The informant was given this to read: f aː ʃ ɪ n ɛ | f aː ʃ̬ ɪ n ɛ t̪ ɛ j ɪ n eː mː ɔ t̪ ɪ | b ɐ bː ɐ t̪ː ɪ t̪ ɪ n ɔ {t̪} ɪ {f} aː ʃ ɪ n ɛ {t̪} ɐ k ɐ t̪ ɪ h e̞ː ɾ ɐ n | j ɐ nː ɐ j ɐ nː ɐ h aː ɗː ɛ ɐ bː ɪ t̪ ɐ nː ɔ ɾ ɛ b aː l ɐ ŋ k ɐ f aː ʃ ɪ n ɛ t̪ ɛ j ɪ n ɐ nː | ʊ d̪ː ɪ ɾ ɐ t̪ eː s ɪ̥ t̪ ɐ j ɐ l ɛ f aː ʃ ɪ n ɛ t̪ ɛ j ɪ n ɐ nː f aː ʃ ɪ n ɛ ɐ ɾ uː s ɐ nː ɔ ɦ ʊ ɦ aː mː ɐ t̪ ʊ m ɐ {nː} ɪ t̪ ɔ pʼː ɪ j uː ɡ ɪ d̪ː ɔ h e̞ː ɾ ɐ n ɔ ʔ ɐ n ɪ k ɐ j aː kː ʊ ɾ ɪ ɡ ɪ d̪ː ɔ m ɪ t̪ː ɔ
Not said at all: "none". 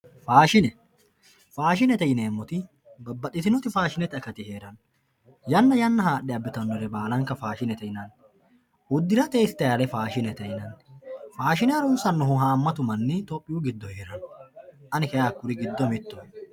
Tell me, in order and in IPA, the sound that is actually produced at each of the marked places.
t̪, f, t̪, nː

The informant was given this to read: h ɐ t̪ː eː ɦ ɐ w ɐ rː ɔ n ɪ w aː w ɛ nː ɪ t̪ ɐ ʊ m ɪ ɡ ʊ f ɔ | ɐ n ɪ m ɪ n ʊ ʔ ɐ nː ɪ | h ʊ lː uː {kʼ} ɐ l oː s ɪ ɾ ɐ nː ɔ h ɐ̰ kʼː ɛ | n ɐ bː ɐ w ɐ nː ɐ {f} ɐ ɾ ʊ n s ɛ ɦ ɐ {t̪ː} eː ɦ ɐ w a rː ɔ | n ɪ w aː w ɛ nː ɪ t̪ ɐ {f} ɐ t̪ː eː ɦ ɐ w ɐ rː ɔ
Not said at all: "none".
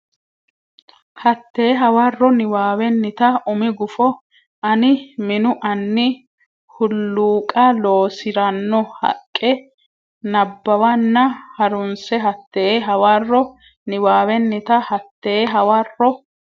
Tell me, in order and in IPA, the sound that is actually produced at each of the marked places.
kʼ, h, t̪ː, h

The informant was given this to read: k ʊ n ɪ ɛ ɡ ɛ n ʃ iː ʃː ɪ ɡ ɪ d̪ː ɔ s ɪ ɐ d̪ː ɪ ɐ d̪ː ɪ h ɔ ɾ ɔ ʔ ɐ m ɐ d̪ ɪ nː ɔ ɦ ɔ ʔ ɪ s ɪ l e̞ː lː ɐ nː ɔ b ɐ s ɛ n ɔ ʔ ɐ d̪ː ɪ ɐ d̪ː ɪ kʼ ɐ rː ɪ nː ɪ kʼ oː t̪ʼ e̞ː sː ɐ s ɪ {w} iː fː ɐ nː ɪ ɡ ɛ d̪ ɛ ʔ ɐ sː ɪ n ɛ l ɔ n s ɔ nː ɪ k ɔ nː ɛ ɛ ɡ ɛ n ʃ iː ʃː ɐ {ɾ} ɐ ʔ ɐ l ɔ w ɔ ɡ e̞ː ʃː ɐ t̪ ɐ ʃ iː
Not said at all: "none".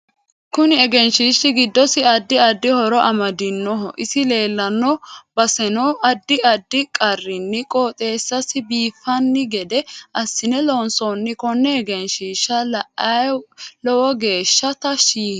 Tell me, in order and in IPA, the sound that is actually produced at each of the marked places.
b, l

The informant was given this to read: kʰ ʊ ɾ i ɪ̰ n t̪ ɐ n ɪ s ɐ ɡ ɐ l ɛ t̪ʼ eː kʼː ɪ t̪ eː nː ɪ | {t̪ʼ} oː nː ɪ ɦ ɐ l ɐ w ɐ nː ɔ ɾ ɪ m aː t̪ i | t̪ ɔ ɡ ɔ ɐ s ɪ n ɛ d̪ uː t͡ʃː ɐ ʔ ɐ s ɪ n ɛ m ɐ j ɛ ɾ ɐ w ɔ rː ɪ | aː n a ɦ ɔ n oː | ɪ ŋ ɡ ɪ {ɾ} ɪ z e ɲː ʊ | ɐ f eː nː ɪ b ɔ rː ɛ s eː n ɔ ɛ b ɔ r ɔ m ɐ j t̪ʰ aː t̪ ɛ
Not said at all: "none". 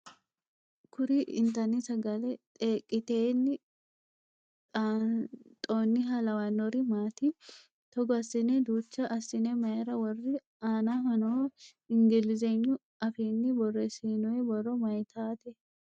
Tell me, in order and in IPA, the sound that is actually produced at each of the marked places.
t̪ʼ, l

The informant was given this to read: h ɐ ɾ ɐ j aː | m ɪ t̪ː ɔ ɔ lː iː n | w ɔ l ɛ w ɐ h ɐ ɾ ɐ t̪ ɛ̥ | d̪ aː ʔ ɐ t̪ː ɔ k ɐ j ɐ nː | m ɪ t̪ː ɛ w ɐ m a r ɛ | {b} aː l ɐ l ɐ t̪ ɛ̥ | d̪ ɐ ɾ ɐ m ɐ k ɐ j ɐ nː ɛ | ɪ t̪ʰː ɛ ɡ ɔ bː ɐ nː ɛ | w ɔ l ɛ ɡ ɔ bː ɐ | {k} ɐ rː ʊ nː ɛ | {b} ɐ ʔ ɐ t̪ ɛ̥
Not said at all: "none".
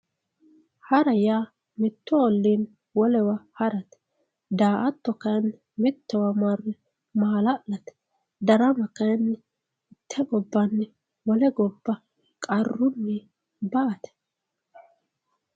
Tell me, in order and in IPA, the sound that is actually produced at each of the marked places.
m, kʼ, b

